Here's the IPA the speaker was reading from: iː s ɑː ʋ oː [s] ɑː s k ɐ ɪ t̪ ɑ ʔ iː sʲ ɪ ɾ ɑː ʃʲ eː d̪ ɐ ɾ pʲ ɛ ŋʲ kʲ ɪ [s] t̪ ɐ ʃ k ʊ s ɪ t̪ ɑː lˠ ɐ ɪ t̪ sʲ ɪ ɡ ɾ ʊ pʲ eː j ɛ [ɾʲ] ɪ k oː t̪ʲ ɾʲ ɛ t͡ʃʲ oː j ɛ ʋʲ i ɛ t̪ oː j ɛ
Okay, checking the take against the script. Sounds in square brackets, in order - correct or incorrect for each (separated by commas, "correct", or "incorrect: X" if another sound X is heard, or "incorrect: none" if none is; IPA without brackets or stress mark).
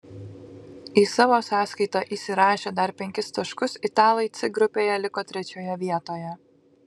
correct, correct, incorrect: lʲ